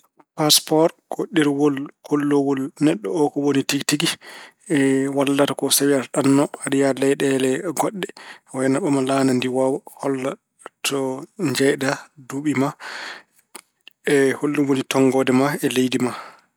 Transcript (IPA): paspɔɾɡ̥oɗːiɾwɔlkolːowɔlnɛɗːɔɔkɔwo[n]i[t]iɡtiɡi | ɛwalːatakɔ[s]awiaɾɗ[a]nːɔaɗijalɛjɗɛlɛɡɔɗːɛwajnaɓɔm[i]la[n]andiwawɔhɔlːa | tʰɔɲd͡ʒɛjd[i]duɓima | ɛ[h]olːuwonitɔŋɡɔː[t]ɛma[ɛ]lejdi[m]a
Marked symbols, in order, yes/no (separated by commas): yes, yes, yes, yes, no, yes, no, yes, no, yes, yes